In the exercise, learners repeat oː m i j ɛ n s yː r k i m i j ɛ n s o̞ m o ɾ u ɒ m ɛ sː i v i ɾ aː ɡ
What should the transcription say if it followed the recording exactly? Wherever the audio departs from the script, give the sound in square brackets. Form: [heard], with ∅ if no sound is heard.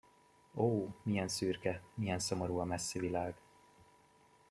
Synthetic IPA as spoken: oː m i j ɛ n s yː r k [ɛ] m i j ɛ n s o̞ m o ɾ u ɒ m ɛ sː i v i [l] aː ɡ